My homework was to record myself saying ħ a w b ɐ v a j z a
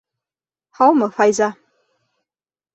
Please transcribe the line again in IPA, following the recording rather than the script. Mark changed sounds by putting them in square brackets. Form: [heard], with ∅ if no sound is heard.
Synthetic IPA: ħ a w [m] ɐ [f] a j z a